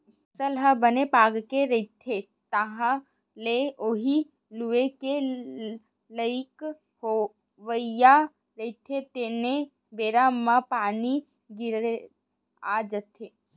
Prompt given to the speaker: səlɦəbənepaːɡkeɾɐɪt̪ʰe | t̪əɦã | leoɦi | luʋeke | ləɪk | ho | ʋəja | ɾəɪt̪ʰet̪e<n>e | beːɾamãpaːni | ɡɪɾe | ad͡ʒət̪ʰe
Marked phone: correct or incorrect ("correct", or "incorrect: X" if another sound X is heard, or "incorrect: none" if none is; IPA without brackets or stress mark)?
correct